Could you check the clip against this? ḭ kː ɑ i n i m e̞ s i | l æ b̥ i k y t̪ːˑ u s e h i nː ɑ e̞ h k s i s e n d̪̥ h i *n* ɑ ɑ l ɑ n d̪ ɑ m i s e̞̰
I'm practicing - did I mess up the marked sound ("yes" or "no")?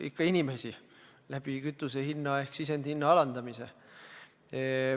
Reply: yes